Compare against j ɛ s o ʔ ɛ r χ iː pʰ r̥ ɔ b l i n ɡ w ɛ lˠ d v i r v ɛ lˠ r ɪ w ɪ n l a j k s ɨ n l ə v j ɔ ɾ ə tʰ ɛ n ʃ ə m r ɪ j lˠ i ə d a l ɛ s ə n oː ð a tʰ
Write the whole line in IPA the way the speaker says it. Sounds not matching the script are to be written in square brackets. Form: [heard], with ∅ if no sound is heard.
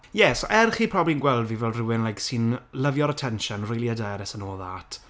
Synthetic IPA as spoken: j ɛ s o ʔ ɛ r χ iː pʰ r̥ ɔ b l i n ɡ w ɛ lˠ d v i [∅] v ɛ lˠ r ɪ w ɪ n l a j k s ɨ n l ə v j ɔ ɾ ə tʰ ɛ n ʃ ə [n] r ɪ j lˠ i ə d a [ɾ] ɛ s ə n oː ð a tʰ